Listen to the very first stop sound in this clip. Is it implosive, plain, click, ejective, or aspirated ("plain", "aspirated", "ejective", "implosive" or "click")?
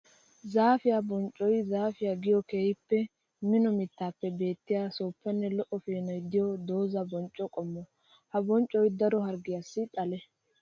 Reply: plain